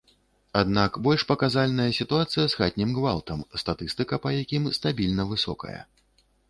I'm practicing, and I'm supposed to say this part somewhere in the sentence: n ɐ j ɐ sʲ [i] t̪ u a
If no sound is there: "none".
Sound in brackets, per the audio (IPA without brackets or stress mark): i